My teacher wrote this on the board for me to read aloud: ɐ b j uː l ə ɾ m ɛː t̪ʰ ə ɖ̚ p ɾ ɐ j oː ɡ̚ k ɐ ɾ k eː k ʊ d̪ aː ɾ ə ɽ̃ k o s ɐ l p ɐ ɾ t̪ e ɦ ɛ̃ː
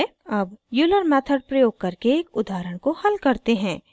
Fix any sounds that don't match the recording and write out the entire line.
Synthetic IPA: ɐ b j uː l ə ɾ m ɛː t̪ʰ ə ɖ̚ p ɾ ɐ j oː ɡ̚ k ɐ ɾ k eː k ʊ d̪ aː ɾ ə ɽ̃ k o h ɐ l k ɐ ɾ t̪ e ɦ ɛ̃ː